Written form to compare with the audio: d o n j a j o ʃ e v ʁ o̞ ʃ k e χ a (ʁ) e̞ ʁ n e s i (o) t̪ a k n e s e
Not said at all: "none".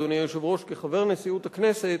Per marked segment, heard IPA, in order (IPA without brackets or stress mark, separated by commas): v, u